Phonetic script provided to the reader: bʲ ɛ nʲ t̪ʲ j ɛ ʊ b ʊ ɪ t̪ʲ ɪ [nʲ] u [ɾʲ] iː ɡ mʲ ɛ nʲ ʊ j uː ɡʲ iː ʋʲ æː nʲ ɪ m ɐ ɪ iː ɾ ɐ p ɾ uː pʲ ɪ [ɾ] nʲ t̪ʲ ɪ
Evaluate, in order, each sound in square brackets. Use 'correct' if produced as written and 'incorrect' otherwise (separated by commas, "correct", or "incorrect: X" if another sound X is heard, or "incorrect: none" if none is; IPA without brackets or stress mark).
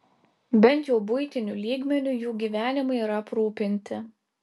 correct, incorrect: lʲ, incorrect: none